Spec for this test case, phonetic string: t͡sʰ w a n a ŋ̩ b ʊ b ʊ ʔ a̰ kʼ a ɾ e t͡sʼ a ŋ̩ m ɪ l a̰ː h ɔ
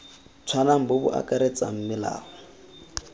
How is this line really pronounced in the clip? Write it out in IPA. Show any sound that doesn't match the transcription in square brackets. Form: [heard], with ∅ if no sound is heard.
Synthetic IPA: t͡sʰ w a n a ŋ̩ b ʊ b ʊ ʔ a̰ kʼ a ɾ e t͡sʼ a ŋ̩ m ɪ l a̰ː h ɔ

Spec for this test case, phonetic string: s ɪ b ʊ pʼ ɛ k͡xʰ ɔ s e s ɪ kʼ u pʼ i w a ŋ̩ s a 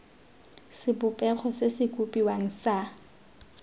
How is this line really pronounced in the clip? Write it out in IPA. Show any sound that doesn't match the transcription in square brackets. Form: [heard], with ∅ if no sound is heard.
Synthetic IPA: s ɪ b ʊ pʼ ɛ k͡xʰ ɔ s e s ɪ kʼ u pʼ i w a ŋ̩ s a

